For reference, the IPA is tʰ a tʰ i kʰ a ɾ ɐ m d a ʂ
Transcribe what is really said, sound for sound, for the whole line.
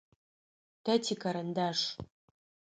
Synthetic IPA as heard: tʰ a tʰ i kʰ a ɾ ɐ n d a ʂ